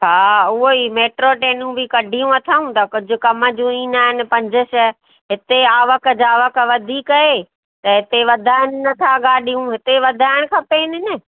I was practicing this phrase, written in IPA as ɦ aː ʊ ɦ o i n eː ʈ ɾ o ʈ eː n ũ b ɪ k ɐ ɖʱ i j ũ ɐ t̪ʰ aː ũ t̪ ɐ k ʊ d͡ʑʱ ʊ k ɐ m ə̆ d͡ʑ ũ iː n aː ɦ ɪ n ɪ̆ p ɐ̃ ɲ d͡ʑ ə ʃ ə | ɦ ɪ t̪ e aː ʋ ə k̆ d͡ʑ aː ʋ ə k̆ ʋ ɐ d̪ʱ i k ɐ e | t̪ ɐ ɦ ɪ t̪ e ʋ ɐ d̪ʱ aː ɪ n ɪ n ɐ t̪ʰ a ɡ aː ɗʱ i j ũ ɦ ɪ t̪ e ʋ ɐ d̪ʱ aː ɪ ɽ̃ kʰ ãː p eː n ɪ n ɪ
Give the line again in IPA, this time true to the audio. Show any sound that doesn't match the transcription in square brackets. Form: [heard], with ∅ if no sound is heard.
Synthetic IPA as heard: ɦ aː ʊ ɦ o i [m] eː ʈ ɾ o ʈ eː n ũ b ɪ k ɐ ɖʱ i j ũ ɐ t̪ʰ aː ũ t̪ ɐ k ʊ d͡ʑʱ ʊ k ɐ m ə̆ d͡ʑ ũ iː n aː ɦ ɪ n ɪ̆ p ɐ̃ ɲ d͡ʑ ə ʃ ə | ɦ ɪ t̪ e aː ʋ ə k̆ d͡ʑ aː ʋ ə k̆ ʋ ɐ d̪ʱ i k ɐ e | t̪ ɐ ɦ ɪ t̪ e ʋ ɐ d̪ʱ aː ɪ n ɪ n ɐ t̪ʰ a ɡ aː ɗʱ i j ũ ɦ ɪ t̪ e ʋ ɐ d̪ʱ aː ɪ ɽ̃ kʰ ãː p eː n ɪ n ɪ